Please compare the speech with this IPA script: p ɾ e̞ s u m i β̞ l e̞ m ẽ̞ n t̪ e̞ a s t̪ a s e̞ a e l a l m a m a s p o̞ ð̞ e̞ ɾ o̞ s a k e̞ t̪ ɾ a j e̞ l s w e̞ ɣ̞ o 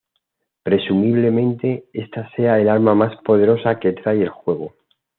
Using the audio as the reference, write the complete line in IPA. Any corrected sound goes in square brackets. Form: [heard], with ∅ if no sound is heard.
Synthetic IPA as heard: p ɾ e̞ s u m i β̞ l e̞ m ẽ̞ n t̪ e̞ [e] s t̪ a s e̞ a e l a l m a m a s p o̞ ð̞ e̞ ɾ o̞ s a k e̞ t̪ ɾ a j e̞ l [x] w e̞ ɣ̞ o